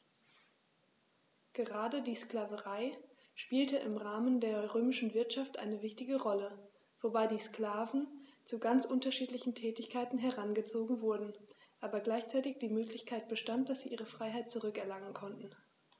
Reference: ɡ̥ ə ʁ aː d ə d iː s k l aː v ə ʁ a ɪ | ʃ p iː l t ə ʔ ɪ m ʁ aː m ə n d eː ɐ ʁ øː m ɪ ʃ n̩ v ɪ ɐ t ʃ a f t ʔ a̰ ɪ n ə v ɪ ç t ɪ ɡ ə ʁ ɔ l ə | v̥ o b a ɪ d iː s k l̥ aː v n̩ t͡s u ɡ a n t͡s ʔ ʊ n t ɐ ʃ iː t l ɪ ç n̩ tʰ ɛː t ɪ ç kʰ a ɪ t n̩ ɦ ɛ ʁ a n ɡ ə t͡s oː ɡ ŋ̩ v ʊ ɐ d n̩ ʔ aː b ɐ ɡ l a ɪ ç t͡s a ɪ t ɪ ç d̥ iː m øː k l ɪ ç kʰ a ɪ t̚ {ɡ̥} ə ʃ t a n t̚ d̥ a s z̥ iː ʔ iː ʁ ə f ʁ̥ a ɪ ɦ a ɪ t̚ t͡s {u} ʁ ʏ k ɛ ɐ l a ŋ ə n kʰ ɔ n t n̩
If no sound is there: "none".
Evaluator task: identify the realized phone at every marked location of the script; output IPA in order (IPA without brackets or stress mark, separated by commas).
b̥, u